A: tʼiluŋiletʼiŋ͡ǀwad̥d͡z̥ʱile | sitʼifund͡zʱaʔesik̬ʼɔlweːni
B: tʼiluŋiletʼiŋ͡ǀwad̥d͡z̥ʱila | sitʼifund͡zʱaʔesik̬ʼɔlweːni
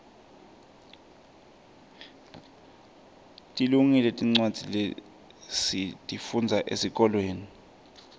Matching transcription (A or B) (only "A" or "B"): A